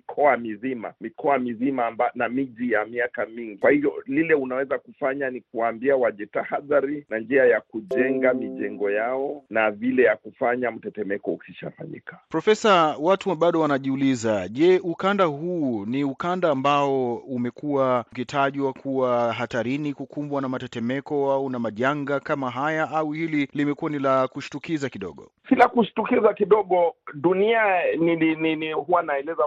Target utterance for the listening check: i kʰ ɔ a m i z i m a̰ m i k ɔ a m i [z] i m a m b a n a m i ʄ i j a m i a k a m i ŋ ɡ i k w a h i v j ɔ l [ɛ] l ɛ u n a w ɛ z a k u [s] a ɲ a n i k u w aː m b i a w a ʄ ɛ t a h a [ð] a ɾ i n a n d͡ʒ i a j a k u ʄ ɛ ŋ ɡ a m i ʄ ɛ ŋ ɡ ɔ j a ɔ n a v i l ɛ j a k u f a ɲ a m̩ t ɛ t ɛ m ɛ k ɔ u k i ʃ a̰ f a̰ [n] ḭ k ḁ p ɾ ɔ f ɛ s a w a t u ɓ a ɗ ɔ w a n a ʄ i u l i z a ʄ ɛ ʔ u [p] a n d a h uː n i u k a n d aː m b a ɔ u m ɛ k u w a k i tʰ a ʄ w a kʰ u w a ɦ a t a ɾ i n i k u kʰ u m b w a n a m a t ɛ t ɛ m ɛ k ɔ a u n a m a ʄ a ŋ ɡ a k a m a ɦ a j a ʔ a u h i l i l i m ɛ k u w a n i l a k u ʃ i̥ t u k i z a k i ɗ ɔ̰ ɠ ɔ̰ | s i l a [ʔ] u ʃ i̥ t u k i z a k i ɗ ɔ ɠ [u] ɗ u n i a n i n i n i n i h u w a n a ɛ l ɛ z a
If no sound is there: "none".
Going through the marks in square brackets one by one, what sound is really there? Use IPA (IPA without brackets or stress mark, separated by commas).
z, i, f, ð, ɲ, k, k, ɔ